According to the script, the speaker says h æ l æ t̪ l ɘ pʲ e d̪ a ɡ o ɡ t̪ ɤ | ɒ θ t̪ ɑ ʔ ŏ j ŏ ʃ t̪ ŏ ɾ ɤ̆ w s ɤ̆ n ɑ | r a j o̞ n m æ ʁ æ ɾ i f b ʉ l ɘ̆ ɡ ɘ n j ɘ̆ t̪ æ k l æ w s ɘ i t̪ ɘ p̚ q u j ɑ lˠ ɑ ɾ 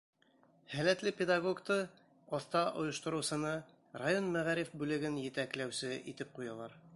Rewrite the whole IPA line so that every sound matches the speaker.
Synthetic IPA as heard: h æ l æ t̪ l ɘ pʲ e d̪ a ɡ o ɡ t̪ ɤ | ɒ θ t̪ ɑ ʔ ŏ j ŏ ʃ t̪ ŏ ɾ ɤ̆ w s ɤ̆ n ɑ | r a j o̞ n m æ ʁ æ ɾ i f b ʉ l ɘ̆ ɡ ɘ n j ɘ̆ t̪ æ k l æ w s ɘ i t̪ ɘ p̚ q u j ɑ lˠ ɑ ɾ